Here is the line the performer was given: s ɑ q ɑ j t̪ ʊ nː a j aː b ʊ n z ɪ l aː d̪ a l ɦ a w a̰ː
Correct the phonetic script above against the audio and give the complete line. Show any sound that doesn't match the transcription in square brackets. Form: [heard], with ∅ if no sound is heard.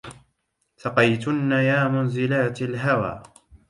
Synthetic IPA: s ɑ q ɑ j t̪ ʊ nː a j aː [m] ʊ n z ɪ l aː [t̪] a l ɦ a w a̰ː